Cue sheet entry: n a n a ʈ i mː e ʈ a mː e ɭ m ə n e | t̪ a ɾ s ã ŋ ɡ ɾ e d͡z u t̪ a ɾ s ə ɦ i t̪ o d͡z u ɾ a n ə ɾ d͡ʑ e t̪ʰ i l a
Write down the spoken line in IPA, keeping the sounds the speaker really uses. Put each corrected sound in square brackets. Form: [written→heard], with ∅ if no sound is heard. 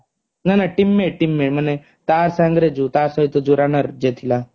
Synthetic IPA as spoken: n a n a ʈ i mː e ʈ [a→i] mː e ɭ m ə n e | t̪ a ɾ s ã ŋ ɡ ɾ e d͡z u t̪ a ɾ s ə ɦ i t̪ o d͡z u ɾ a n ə ɾ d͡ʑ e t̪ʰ i l a